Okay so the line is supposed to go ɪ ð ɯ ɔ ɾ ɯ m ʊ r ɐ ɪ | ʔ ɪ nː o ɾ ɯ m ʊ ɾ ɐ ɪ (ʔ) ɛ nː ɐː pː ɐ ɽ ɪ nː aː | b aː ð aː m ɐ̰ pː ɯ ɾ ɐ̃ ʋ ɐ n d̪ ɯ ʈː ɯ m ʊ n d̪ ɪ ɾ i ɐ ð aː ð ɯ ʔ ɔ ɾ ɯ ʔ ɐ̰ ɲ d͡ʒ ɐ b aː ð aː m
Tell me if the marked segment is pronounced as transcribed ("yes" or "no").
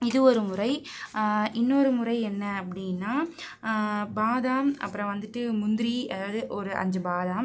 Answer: no